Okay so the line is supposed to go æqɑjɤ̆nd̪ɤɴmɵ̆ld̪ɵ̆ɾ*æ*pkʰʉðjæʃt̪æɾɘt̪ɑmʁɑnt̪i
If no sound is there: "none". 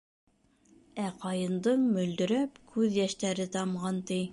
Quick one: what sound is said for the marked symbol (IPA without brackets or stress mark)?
æ